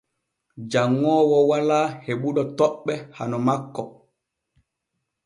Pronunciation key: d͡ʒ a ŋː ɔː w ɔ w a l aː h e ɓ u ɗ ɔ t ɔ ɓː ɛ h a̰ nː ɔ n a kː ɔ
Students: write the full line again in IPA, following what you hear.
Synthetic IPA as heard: d͡ʒ a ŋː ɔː w ɔ w a l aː h e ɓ u ɗ ɔ t ɔ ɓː ɛ h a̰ n ɔ m a kː ɔ